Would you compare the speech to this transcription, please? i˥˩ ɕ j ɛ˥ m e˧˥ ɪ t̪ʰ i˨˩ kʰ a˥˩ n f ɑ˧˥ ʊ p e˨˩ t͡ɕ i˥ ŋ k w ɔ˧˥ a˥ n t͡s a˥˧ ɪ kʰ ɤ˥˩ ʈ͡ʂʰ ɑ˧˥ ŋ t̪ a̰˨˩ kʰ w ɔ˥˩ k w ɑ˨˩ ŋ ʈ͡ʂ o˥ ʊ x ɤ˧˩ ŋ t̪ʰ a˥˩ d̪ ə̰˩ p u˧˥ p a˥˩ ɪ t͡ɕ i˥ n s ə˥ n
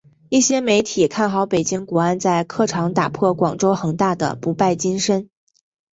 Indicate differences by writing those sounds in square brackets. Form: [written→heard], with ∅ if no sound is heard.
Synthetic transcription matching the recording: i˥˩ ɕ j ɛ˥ m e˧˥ ɪ t̪ʰ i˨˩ kʰ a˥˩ n [f→x] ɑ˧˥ ʊ p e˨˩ t͡ɕ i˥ ŋ k w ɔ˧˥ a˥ n t͡s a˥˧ ɪ kʰ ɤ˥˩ ʈ͡ʂʰ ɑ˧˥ ŋ t̪ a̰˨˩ [kʰ→pʰ] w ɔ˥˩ k w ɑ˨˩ ŋ ʈ͡ʂ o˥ ʊ x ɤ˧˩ ŋ [t̪ʰ→t̪] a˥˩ d̪ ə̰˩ p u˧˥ p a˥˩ ɪ t͡ɕ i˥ n [s→ʂ] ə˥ n